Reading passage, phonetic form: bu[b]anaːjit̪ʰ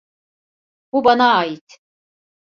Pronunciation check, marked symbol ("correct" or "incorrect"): correct